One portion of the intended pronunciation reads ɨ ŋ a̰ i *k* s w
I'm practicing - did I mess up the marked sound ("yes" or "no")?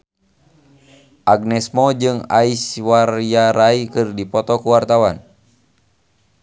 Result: yes